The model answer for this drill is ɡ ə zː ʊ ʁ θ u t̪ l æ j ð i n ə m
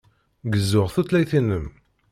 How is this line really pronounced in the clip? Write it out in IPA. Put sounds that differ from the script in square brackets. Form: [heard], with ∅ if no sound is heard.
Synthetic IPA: ɡ ə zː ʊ ʁ θ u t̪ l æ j [θ] i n ə m